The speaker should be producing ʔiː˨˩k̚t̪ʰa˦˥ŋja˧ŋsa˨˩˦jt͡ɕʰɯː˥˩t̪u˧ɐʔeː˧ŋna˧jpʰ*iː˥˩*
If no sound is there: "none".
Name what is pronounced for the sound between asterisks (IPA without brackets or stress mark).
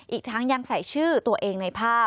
aː˥˩